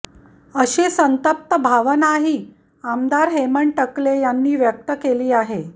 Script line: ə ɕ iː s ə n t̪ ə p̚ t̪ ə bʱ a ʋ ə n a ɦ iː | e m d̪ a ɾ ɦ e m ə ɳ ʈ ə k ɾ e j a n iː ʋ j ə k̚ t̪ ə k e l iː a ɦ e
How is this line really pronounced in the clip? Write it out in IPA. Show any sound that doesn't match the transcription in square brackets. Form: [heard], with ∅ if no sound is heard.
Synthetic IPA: ə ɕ iː s ə n t̪ ə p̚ t̪ ə bʱ a ʋ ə n a ɦ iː | [a] m d̪ a ɾ ɦ e m ə ɳ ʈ ə k [l] e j a [nː] iː ʋ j ə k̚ t̪ ə k e l iː a ɦ e